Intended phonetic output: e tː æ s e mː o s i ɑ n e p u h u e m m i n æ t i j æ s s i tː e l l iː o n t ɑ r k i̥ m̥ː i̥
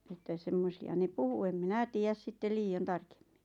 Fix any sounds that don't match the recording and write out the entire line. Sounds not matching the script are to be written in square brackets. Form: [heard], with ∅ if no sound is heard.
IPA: e tː æ s e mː o s i ɑ n e p u h u e m m i n æ t [iː] j æ s s i tː e l l iː o n t ɑ r k [e̥] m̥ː i̥